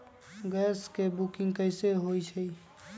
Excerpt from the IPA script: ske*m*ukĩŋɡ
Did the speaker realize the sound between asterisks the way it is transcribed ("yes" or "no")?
no